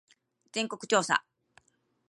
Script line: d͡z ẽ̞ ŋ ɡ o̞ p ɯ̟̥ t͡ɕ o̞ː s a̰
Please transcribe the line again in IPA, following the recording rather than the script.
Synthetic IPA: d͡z ẽ̞ ŋ k o̞ k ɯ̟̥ t͡ɕ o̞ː s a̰